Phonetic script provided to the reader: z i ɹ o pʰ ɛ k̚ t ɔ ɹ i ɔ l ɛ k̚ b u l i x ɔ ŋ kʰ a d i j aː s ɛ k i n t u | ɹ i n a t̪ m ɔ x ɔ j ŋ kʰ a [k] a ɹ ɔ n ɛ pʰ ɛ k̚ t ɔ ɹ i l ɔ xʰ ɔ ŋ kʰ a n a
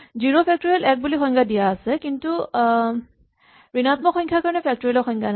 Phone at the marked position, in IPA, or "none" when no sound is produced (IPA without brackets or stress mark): k